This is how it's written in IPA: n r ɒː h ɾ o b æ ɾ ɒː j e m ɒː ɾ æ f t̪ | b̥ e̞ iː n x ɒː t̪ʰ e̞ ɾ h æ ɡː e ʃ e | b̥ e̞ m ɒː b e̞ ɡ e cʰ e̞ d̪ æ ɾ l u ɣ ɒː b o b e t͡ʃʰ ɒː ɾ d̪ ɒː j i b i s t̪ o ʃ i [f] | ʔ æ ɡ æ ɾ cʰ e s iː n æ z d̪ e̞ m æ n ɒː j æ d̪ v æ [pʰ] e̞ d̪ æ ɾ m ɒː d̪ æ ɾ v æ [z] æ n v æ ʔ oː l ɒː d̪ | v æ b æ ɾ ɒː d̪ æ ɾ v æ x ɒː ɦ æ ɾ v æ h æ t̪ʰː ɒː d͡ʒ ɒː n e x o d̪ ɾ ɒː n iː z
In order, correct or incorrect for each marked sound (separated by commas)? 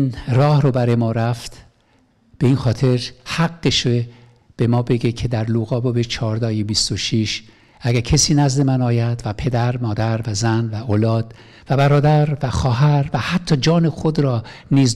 incorrect, correct, correct